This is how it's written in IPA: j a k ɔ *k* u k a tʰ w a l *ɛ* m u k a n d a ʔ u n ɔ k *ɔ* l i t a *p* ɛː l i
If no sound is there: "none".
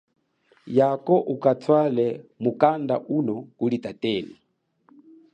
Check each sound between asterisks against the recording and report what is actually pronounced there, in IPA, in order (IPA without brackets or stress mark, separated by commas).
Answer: ʔ, ɛ, u, t